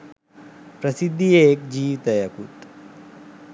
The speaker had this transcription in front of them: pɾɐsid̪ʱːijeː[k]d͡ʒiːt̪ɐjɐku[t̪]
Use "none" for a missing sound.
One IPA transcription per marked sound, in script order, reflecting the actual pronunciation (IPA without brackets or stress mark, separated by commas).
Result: k, t̪